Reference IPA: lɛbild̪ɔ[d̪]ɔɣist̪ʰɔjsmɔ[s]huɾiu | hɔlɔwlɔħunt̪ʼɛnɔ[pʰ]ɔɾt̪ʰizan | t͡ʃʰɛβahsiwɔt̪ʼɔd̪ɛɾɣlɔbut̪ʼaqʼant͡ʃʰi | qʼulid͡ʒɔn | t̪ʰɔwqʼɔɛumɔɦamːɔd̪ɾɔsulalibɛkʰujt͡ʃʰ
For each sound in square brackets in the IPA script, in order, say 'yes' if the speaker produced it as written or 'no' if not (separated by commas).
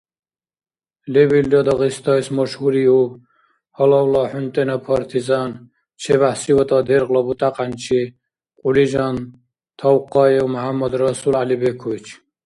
yes, no, yes